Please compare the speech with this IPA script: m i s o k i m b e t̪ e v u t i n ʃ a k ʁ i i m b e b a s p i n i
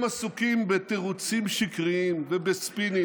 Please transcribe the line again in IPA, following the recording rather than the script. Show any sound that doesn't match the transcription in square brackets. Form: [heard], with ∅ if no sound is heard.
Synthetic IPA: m [a] s [u] k i m b e t̪ e [ʁ] u [t͡s] i [m] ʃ [i] k ʁ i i m [v] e b [e] s p i n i